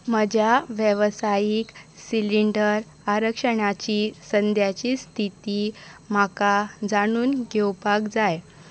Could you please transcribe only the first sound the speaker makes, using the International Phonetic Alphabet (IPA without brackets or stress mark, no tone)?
m